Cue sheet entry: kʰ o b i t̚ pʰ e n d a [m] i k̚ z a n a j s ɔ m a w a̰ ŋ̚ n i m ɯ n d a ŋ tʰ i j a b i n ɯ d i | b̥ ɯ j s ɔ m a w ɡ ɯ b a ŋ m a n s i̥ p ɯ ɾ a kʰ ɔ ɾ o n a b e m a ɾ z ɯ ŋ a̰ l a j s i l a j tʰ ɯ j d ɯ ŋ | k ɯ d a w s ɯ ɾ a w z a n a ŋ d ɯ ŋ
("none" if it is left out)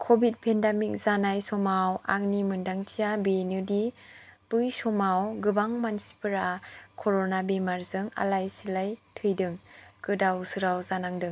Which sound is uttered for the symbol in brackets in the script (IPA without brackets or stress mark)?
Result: m